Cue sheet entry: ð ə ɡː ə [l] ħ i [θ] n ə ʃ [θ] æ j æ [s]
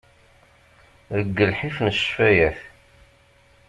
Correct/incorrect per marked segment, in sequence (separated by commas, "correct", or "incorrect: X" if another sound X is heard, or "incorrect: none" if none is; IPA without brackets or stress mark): correct, incorrect: f, incorrect: f, incorrect: θ